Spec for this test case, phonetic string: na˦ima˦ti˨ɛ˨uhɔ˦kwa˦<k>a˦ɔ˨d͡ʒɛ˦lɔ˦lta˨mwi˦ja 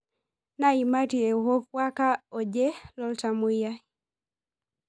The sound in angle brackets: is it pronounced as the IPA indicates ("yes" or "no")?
yes